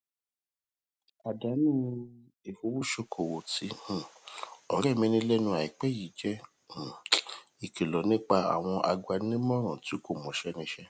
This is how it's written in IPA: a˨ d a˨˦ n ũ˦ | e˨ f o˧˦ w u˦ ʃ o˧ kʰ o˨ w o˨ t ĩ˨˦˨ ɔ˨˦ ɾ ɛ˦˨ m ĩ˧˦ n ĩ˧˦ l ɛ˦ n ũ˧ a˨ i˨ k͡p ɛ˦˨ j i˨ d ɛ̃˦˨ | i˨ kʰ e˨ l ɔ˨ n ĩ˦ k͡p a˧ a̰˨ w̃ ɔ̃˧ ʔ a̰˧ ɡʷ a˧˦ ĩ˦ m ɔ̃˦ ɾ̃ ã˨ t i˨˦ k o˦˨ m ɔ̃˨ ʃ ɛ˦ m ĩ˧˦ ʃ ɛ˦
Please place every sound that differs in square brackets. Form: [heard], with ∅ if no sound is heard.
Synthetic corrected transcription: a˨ d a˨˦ n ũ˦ | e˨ f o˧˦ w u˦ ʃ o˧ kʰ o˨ w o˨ t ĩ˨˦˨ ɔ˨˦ ɾ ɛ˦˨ m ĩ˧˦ n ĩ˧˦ l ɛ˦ n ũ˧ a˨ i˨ k͡p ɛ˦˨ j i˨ [d͡ʒ] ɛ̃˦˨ | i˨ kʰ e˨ l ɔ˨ n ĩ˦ k͡p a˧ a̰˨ w̃ ɔ̃˧ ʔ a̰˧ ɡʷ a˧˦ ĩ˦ m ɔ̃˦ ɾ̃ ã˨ t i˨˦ k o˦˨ m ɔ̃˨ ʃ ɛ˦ [n] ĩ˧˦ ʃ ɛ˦